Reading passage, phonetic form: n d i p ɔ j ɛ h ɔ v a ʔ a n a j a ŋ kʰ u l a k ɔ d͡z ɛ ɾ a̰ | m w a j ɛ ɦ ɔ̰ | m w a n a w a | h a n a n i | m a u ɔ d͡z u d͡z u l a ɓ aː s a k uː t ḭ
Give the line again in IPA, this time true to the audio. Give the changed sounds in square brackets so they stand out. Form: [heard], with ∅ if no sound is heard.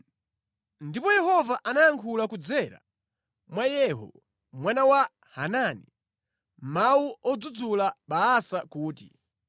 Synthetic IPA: n d i p ɔ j ɛ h ɔ v a ʔ a n a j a ŋ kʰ u l a k [u] d͡z ɛ ɾ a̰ | m w a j ɛ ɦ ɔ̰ | m w a n a w a | h a n a n i | m a u ɔ d͡z u d͡z u l a ɓ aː s a k uː t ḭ